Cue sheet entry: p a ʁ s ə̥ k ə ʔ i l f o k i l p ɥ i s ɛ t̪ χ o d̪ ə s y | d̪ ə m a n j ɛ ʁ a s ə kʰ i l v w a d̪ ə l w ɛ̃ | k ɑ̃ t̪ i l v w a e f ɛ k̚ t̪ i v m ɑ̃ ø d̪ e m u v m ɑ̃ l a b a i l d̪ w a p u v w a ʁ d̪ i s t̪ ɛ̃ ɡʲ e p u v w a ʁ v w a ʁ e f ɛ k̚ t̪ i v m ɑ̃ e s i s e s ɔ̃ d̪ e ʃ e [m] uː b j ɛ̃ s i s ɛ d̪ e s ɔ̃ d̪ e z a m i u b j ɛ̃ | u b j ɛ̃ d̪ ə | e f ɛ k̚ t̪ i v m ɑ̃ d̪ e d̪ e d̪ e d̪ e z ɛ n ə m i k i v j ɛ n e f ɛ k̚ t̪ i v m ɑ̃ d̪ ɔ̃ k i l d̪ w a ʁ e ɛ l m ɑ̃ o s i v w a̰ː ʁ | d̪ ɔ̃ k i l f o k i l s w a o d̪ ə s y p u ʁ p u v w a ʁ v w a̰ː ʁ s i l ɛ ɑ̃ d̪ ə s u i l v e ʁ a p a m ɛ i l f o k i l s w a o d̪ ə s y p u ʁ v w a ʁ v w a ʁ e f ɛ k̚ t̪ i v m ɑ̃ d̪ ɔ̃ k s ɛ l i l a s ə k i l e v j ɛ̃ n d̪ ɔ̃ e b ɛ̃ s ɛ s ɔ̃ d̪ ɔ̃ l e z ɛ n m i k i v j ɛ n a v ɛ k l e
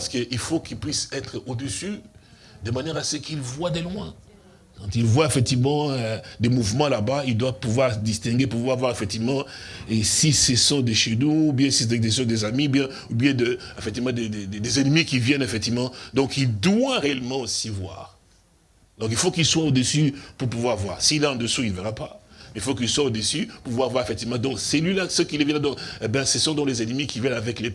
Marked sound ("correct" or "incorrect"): incorrect